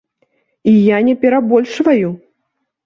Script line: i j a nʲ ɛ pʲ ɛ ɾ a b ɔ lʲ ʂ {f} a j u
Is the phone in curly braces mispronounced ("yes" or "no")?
yes